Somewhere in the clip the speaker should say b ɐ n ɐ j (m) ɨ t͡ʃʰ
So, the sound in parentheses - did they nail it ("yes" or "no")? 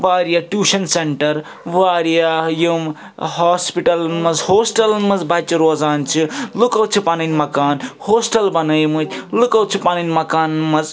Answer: yes